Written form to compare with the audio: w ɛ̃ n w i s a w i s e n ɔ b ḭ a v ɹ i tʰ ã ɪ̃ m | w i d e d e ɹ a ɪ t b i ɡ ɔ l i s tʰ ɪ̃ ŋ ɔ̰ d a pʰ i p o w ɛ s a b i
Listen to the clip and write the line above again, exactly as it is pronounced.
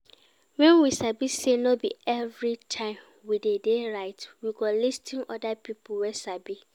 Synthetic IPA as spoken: w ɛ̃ n w i s a b i s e n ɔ b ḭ ɛ v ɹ i tʰ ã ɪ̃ m | w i d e d e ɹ a ɪ t w i ɡ ɔ l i s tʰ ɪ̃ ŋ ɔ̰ d a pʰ i p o w ɛ s a b i